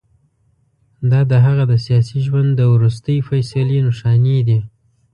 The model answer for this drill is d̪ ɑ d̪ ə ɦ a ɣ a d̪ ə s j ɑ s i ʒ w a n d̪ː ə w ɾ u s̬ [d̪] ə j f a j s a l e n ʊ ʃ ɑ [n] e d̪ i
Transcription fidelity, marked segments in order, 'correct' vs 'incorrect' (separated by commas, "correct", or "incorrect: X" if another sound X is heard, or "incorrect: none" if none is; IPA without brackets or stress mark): incorrect: t̪, correct